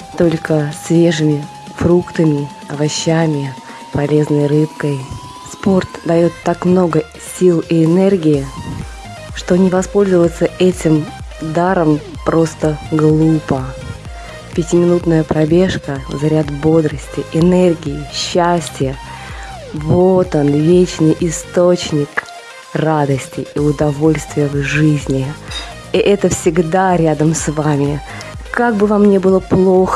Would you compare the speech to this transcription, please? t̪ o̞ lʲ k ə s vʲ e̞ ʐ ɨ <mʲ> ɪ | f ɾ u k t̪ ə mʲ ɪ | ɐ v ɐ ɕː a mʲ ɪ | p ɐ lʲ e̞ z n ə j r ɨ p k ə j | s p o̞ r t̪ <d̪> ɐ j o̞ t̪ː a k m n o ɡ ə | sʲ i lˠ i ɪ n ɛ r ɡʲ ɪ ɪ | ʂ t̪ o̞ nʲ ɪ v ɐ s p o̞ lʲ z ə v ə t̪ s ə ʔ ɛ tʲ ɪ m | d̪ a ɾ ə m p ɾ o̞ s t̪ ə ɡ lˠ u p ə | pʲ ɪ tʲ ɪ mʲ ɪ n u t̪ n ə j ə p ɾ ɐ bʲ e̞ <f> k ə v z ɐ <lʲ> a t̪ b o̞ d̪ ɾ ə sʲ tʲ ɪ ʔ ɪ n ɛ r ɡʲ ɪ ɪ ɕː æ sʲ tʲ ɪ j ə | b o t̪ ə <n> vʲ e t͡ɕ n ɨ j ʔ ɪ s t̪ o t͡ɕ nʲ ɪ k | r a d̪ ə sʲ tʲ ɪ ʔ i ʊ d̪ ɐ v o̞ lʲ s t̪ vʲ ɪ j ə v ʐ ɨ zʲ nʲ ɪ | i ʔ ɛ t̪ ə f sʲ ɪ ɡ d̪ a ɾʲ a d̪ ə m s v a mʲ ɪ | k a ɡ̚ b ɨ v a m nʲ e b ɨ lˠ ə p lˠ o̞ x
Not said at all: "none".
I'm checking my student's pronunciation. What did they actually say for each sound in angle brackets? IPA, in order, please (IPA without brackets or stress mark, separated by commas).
mʲ, d̪, ʂ, ɾʲ, n